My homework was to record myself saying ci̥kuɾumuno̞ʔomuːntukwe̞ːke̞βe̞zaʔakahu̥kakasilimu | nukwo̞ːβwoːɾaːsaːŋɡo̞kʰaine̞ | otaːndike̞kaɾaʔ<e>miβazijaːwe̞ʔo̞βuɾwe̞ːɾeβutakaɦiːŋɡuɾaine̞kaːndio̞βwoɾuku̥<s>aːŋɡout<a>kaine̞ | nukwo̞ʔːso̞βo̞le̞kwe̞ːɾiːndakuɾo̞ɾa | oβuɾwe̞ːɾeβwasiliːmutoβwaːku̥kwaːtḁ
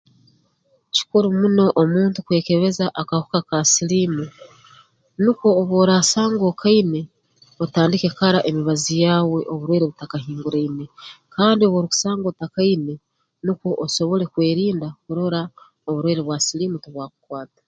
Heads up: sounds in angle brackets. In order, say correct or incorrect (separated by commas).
correct, correct, correct